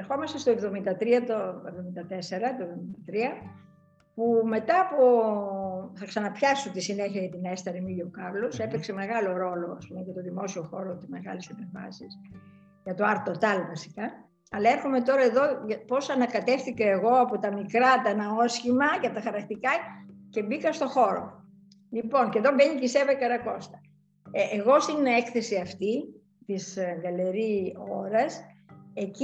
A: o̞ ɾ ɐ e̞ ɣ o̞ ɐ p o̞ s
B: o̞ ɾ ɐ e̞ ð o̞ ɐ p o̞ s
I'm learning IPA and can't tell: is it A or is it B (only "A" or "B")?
B